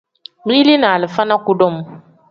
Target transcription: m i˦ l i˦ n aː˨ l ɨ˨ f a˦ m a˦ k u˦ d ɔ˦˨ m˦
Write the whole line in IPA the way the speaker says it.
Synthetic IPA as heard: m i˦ l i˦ n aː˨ l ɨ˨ f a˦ n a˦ k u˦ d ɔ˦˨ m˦